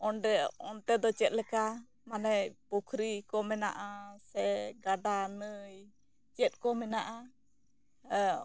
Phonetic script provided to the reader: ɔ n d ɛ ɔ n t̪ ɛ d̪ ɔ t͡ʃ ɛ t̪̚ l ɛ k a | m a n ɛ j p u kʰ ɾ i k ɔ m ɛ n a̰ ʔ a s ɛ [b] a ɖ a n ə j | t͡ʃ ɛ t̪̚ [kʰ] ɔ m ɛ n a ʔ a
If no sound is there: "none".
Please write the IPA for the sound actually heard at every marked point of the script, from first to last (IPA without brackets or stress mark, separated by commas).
ɡ, k